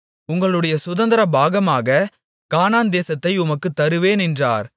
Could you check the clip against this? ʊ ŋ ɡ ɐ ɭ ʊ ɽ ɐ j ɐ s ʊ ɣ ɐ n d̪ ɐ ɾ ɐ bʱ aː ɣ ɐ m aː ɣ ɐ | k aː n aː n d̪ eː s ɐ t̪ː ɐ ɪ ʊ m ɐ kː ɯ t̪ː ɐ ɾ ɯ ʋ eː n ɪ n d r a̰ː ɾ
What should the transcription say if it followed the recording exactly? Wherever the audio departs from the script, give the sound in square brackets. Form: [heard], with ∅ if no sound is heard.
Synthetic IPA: ʊ ŋ ɡ ɐ ɭ [ɯ] ɽ ɐ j ɐ s ʊ [ð] ɐ n d̪ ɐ ɾ ɐ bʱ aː ɣ ɐ m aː ɣ ɐ | k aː n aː n d̪ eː s ɐ t̪ː ɐ ɪ ʊ m ɐ kː ɯ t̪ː ɐ ɾ ɯ ʋ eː n ɪ n d r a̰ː ɾ